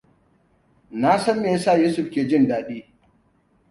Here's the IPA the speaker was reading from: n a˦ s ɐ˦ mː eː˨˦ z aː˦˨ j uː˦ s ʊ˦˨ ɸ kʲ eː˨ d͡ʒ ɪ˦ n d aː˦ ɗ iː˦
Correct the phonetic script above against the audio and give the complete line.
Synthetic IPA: n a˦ s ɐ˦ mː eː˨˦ s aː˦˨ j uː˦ s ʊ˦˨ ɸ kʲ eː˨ d͡ʒ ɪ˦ n d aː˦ ɗ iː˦

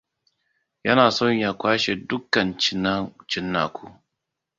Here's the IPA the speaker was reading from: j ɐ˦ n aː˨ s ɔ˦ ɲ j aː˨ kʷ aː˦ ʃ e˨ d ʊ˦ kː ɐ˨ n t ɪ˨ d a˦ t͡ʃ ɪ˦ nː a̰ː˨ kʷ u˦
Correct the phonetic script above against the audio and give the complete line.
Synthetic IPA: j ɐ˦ n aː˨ s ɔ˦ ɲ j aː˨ kʷ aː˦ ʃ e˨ d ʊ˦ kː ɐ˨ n t͡ʃ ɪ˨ n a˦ t͡ʃ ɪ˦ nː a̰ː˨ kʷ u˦

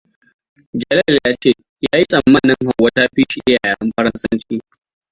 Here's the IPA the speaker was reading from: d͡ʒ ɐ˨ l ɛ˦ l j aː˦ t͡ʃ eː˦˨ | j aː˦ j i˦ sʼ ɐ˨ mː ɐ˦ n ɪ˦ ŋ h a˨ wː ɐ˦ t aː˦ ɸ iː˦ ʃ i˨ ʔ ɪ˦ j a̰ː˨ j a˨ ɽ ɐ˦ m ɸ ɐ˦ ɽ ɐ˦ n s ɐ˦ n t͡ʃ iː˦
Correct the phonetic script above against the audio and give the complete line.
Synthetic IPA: d͡ʒ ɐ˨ l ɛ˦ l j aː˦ t͡ʃ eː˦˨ | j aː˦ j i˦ sʼ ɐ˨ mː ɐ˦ n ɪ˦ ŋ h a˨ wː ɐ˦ t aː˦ ɸ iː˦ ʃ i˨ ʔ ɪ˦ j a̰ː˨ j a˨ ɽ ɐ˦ m ɸ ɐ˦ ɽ ɐ˦ n s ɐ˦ n t͡ʃ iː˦

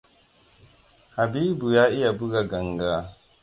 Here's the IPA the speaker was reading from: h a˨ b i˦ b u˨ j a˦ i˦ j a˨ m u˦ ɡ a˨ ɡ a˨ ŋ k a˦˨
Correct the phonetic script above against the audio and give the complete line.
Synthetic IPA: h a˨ b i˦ b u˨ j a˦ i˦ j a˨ b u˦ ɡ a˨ ɡ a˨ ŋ ɡ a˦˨

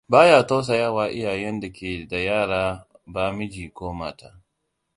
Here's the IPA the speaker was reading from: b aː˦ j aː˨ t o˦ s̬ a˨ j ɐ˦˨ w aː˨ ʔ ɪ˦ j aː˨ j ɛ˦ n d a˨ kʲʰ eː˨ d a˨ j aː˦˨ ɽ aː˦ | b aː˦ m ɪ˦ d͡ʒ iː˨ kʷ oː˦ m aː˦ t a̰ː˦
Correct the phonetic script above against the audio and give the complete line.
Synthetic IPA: b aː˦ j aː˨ t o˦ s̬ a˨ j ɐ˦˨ w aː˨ ʔ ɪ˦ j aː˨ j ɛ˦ n d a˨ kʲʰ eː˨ d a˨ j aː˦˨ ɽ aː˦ | b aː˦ m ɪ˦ d͡ʒ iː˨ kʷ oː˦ m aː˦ t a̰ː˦

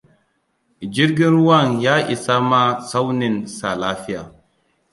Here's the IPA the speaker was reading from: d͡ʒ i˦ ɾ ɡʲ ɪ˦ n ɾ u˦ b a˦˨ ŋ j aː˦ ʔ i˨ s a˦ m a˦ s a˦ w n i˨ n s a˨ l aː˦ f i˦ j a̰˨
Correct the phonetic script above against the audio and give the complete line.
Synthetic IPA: d͡ʒ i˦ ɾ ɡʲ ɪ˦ n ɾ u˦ w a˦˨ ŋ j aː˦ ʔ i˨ s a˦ m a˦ s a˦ w n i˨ n s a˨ l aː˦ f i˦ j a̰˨

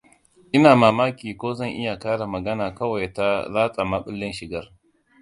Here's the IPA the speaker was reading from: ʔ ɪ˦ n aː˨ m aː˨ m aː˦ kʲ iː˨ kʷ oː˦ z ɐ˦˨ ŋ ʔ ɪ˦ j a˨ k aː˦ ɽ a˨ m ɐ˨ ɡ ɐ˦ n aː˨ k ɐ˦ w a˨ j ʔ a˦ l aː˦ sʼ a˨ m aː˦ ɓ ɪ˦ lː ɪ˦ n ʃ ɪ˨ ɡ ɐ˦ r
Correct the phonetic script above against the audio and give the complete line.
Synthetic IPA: ʔ ɪ˦ n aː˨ m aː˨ m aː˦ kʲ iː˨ kʷ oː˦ z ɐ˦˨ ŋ ʔ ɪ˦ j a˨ k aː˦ ɽ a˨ m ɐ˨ ɡ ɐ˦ n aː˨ k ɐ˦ w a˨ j t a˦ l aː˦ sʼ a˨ m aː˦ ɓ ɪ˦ lː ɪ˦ n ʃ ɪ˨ ɡ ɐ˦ r

